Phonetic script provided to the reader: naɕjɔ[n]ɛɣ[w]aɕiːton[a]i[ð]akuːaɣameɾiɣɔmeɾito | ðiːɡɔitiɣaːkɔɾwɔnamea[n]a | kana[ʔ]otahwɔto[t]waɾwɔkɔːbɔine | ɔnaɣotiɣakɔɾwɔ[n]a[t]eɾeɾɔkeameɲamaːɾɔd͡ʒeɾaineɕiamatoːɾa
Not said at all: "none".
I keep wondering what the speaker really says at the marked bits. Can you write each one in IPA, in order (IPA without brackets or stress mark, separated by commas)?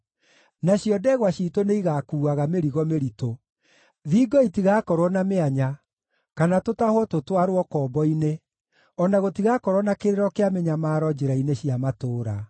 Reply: d, w, e, ɣ, ɲ, t, t, n, k